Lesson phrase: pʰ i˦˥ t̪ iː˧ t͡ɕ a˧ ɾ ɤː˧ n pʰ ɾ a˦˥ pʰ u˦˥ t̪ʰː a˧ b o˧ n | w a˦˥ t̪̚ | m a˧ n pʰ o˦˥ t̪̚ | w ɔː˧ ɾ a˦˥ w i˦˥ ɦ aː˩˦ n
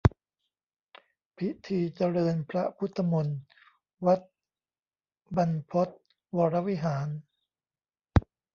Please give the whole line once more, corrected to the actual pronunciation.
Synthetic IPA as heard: pʰ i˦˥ t̪ʰ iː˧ t͡ɕ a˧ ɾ ɤː˧ n pʰ ɾ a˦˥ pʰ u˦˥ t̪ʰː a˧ m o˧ n | w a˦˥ t̪̚ | b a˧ n pʰ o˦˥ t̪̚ | w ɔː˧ ɾ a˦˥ w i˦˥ ɦ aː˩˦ n